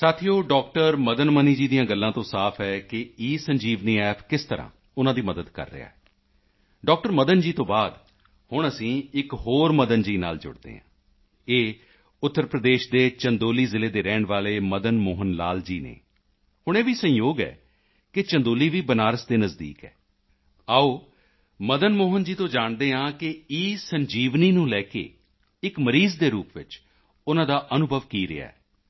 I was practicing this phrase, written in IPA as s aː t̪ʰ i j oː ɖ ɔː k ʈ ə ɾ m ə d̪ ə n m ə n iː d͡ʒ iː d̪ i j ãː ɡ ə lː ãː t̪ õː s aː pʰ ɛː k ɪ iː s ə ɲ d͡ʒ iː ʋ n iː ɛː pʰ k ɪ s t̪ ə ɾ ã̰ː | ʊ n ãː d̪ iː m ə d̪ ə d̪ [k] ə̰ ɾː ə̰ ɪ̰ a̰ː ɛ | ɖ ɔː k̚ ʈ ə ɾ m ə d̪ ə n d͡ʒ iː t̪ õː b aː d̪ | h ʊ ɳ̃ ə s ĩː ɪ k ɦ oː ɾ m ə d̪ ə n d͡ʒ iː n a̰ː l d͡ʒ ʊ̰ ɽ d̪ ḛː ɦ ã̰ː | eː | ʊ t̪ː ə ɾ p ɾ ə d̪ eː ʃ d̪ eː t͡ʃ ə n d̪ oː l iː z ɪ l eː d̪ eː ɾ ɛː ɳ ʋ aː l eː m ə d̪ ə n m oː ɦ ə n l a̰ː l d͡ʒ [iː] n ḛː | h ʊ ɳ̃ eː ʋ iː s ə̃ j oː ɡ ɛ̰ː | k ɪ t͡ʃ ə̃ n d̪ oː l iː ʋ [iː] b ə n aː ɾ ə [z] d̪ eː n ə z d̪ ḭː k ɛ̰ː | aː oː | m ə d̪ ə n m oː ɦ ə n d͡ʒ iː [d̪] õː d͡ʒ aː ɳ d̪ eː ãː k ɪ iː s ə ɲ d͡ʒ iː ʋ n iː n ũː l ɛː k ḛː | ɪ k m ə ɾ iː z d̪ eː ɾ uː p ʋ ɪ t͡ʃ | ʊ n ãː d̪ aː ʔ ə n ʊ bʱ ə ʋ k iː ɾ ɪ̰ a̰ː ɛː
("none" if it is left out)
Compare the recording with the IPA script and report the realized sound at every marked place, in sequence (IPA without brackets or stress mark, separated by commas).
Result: k, iː, iː, s, t̪